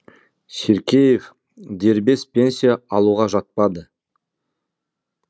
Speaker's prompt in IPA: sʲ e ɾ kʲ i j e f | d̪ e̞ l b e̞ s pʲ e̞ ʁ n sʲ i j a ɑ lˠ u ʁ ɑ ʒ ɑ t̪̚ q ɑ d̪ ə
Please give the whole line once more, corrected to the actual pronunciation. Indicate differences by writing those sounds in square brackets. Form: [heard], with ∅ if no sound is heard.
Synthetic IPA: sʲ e ɾ kʲ [e] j e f | d̪ e̞ [ɾ] b e̞ s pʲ e̞ [∅] n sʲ i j a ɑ lˠ u ʁ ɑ ʒ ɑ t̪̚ [p] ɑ d̪ ə